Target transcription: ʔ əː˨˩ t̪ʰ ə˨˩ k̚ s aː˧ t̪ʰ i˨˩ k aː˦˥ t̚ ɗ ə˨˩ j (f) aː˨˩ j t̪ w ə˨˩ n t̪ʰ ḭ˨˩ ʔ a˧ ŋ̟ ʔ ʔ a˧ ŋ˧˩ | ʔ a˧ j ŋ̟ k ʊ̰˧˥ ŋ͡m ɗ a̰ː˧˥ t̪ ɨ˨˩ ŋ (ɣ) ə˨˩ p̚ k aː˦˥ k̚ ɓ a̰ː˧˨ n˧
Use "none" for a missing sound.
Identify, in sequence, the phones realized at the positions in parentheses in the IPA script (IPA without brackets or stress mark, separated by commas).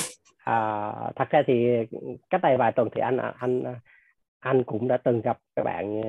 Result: v, ɣ